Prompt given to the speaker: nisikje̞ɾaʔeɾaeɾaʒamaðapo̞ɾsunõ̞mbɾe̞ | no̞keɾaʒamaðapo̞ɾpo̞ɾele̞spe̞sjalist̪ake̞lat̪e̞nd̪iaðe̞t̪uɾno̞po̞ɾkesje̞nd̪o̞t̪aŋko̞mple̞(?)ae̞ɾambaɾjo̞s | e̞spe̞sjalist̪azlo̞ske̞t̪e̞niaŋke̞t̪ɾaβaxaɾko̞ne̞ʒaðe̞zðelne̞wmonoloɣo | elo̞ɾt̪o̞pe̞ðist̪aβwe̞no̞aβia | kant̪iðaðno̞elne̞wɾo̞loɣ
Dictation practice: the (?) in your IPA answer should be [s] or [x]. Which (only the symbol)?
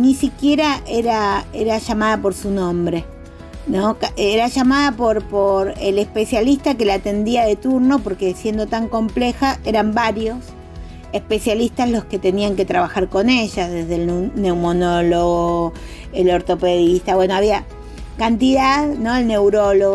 x